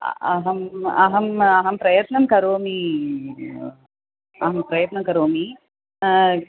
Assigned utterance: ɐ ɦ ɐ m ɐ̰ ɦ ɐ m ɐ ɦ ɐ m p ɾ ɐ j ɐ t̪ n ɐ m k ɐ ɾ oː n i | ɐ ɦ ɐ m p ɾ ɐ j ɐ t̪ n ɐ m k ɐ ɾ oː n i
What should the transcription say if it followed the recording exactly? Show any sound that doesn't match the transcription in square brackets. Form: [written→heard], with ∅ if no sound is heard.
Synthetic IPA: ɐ ɦ ɐ m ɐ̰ ɦ ɐ m ɐ ɦ ɐ m p ɾ ɐ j ɐ t̪ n ɐ m k ɐ ɾ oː [n→m] i | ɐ ɦ ɐ m p ɾ ɐ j ɐ t̪ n ɐ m k ɐ ɾ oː [n→m] i